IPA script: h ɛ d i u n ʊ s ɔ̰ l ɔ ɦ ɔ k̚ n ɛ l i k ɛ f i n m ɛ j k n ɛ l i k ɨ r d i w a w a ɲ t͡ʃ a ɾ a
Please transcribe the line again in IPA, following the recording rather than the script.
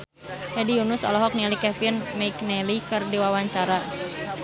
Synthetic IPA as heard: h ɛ d i u n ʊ s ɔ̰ l ɔ ɦ ɔ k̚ n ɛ l i k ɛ f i n m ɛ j k n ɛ l i k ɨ r d i w a w a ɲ t͡ʃ a ɾ a